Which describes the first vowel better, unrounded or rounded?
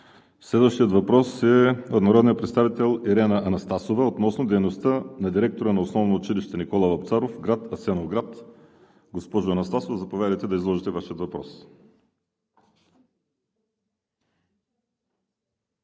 unrounded